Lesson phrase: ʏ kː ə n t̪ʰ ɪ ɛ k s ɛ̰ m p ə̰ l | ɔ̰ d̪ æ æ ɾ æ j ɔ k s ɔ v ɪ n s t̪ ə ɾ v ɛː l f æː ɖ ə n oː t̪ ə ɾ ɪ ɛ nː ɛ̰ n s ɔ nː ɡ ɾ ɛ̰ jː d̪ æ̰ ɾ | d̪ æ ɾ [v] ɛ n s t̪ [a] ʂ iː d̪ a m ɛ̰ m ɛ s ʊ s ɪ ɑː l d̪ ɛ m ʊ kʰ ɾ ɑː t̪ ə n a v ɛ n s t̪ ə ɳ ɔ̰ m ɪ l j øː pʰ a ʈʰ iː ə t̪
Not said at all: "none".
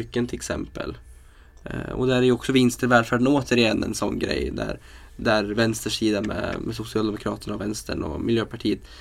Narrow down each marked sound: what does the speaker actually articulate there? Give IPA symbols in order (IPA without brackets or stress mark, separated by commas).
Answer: v, ə